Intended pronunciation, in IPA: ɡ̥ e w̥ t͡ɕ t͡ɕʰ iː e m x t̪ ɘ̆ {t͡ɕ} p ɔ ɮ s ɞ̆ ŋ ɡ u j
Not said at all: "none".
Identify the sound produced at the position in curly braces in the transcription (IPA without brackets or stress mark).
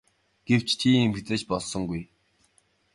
t͡ɕ